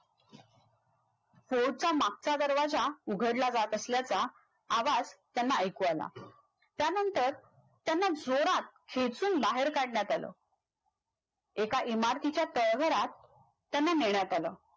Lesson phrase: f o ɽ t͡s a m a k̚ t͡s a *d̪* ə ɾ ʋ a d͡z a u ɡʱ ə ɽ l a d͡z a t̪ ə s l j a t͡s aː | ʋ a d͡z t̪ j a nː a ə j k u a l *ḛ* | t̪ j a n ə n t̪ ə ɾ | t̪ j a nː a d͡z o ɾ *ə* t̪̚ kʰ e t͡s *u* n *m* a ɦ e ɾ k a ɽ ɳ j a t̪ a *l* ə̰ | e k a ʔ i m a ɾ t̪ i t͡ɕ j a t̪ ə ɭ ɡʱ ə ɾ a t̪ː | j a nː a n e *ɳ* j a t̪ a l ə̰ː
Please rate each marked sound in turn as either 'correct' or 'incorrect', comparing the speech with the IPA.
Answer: correct, incorrect, incorrect, incorrect, incorrect, correct, correct

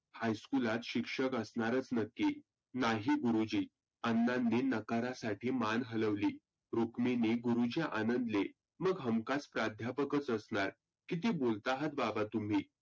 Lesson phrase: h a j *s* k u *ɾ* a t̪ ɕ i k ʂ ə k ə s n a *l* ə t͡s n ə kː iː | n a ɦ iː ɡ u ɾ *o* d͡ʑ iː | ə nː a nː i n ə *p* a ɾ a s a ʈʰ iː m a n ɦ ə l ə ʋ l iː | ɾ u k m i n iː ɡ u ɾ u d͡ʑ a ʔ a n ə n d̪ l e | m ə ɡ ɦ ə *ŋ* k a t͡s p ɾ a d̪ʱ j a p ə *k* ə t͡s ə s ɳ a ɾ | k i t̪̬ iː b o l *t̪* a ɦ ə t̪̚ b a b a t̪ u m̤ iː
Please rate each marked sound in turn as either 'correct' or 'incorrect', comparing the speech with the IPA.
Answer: correct, incorrect, incorrect, incorrect, incorrect, incorrect, correct, correct

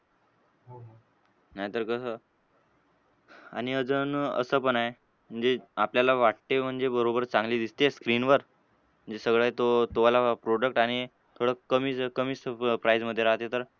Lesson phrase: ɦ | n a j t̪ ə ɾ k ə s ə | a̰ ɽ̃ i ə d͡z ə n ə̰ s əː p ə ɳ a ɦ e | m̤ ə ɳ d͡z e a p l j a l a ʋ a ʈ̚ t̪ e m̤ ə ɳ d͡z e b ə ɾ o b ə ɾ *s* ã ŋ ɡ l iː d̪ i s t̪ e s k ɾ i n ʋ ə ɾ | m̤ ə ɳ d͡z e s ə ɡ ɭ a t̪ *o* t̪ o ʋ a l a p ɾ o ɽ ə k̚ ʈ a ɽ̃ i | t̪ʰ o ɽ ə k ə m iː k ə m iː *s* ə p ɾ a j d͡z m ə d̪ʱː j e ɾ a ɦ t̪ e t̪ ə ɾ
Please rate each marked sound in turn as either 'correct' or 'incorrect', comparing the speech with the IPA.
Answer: incorrect, correct, correct

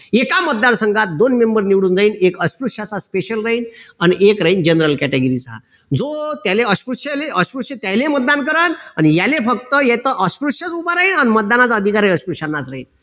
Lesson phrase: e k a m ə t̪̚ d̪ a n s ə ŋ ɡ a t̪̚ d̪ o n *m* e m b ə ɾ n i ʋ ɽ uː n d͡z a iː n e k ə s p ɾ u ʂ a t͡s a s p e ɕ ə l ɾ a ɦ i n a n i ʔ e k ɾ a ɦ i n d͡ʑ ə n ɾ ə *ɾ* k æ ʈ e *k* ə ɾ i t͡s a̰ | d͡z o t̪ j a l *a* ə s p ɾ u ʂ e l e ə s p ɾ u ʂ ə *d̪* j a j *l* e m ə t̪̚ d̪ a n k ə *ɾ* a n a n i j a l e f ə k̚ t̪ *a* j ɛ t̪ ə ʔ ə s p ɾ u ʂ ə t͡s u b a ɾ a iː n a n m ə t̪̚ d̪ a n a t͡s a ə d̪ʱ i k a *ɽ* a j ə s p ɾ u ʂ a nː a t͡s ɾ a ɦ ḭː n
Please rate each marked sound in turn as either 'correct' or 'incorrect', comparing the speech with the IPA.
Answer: correct, incorrect, incorrect, incorrect, incorrect, correct, correct, incorrect, incorrect

